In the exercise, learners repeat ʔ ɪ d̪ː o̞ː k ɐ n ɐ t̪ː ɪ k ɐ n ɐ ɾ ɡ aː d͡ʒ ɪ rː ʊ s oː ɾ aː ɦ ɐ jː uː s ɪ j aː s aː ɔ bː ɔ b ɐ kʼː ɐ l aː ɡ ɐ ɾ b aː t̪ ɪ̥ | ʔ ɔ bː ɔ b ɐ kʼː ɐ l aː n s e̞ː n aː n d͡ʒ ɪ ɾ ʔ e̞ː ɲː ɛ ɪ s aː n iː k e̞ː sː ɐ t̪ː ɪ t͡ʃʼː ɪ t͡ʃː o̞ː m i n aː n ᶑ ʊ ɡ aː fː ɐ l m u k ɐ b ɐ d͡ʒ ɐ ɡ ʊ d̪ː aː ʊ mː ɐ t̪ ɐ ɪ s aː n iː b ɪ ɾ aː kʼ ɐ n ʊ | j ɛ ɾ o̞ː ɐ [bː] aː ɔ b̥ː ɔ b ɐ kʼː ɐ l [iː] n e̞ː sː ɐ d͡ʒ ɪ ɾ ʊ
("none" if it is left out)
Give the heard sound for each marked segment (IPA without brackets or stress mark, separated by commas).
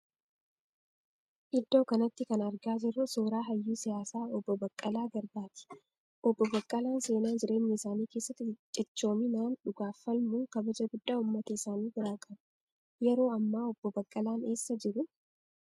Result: mː, aː